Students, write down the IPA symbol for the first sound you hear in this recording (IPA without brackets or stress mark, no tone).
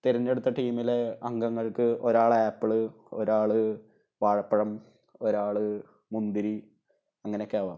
t̪